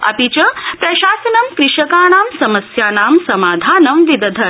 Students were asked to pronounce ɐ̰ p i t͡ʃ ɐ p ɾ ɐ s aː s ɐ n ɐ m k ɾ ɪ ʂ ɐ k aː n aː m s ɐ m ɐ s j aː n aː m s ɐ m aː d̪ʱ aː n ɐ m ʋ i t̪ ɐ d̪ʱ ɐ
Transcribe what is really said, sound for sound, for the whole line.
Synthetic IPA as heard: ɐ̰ p i t͡ʃ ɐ p ɾ ɐ ʃ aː s ɐ n ɐ m k ɾ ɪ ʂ ɐ k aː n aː m s ɐ m ɐ s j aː n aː m s ɐ m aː d̪ʱ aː n ɐ m ʋ i d̪ ɐ d̪ʱ ɐ